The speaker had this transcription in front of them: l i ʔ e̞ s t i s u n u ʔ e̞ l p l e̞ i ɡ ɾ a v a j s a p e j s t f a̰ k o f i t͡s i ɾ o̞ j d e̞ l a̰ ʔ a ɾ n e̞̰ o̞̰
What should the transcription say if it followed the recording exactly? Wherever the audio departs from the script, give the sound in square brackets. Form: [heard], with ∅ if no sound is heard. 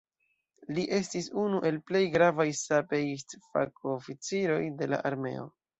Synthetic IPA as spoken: l i ʔ e̞ s t i s u n u ʔ e̞ l p l e̞ [j] ɡ ɾ a v a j s a p e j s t f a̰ k o f i t͡s i ɾ o̞ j d e̞ l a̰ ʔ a ɾ [m] e̞̰ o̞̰